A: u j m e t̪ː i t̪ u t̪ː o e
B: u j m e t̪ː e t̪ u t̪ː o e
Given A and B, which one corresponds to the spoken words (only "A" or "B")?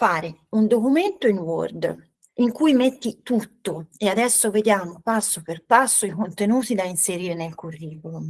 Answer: A